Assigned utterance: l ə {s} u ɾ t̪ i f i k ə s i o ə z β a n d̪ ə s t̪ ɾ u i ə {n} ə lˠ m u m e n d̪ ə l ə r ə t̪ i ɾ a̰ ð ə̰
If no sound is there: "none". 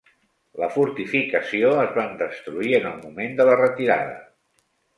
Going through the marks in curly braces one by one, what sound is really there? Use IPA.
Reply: f, n

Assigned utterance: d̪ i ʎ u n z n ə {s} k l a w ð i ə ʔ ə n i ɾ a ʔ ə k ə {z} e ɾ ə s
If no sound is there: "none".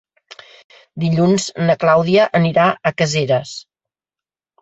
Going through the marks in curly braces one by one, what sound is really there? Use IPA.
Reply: none, z

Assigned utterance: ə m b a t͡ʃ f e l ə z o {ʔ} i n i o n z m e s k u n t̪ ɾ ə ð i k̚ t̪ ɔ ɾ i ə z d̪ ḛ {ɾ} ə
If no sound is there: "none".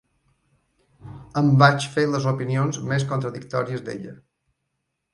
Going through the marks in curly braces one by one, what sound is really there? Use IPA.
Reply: p, ʎ

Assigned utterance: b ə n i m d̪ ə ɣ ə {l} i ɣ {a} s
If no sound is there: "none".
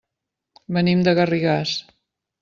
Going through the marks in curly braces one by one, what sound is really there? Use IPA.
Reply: r, a

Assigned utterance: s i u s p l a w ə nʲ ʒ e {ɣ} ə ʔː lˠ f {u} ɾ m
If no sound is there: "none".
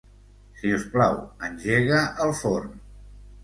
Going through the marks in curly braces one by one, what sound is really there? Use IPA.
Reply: ɣ, o

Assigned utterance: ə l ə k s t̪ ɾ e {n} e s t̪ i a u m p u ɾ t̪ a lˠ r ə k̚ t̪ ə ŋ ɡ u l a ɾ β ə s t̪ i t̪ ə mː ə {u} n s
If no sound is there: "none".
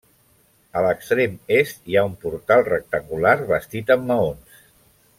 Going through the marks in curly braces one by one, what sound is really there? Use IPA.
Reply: m, o

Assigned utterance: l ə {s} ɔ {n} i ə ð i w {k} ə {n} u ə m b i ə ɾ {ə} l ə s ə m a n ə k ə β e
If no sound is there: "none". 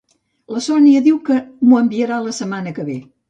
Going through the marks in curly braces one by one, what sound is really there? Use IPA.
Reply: s, n, k, m, a

